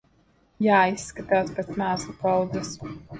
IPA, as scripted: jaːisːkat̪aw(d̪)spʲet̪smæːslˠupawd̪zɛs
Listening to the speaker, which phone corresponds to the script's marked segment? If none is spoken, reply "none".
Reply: t̪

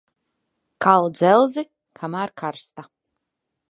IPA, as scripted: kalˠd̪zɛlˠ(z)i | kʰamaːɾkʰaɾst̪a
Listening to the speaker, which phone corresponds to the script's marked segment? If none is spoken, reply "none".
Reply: z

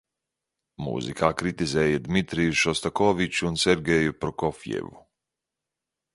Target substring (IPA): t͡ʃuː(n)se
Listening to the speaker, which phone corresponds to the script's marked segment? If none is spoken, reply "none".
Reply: n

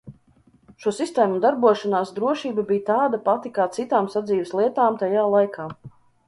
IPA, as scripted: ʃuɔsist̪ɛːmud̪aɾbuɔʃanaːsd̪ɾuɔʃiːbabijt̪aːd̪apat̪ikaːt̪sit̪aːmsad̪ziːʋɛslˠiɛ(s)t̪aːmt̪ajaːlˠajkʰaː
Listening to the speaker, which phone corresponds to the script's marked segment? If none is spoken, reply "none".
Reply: none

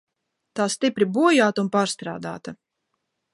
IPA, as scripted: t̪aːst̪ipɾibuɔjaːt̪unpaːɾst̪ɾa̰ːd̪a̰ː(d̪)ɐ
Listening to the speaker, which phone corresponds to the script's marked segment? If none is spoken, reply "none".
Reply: t̪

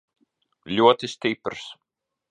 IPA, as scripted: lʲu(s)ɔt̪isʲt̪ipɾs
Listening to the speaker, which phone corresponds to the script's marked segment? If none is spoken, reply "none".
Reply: none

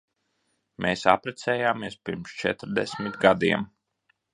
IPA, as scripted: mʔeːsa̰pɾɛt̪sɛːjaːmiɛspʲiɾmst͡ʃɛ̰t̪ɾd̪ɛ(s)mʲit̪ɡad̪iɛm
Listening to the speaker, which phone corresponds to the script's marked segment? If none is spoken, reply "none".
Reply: s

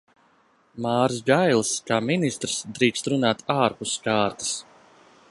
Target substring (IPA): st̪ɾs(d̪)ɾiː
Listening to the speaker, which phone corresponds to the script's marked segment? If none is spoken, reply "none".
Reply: d̪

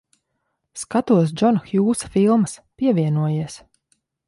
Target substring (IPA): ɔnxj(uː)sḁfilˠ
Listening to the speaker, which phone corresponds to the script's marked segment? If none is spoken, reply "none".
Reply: uː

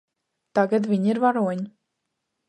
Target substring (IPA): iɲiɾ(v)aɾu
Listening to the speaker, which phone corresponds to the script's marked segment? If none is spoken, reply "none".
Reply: v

